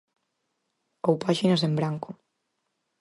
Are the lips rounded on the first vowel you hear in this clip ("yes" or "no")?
yes